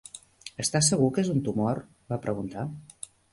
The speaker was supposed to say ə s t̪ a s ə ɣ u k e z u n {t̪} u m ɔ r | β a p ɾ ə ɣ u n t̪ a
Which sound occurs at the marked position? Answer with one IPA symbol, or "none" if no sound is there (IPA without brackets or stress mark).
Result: t̪